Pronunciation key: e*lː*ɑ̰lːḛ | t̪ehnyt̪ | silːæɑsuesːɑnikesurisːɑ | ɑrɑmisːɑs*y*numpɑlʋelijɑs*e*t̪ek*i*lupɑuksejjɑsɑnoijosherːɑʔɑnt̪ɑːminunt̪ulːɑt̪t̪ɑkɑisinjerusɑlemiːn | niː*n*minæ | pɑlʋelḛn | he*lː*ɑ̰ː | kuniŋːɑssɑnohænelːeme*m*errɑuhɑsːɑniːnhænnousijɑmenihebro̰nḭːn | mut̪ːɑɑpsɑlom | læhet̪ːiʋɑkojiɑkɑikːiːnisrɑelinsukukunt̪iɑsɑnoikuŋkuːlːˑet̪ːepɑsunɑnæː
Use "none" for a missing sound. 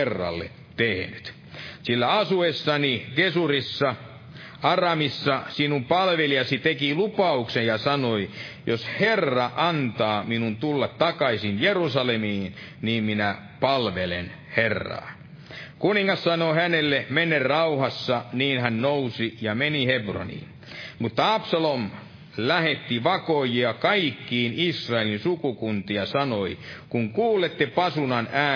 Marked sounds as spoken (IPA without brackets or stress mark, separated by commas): rː, i, i, i, m, rː, n